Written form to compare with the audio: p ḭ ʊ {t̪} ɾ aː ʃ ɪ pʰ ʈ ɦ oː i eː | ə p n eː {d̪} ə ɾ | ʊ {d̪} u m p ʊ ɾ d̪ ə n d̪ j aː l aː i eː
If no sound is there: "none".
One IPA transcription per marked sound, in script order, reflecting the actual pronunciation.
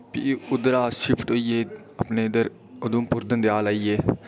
d̪, d̪, d̪

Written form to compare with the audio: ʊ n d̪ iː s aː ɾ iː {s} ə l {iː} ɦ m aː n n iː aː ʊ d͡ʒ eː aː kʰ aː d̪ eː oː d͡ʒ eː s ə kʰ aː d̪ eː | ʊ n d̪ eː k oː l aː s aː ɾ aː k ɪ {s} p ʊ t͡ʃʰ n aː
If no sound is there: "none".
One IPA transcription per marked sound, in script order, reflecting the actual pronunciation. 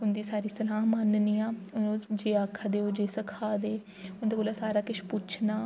s, aː, ʃ

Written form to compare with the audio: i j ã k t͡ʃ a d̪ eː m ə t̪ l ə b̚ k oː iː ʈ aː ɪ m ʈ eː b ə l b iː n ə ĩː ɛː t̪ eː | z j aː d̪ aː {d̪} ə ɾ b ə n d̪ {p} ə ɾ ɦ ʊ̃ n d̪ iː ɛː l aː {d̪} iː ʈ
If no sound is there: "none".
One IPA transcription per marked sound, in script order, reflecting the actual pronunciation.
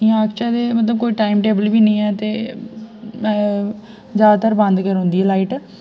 t̪, k, none

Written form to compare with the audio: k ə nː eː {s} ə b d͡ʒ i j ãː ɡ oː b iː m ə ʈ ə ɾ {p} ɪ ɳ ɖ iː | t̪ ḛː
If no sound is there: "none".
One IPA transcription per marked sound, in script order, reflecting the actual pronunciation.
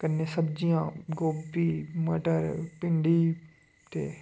s, p

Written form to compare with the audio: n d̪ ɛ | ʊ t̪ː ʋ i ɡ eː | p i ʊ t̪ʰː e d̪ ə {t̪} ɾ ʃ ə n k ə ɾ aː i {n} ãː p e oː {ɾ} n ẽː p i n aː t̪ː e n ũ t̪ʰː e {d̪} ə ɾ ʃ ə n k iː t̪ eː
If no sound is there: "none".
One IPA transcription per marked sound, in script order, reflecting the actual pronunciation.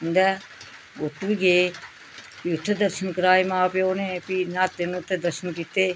none, m, none, d̪

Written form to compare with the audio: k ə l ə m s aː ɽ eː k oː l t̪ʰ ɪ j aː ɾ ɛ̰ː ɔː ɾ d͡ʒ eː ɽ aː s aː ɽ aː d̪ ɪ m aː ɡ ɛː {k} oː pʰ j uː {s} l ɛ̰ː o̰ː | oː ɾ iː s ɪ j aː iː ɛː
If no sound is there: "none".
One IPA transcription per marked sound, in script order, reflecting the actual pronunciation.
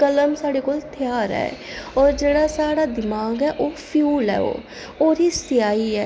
ʔ, none

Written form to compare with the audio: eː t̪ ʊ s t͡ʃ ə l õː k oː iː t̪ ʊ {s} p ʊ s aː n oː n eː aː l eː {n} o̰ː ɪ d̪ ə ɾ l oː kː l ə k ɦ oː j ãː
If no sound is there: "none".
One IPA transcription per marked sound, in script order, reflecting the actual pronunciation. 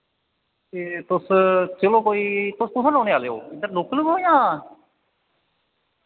s, none

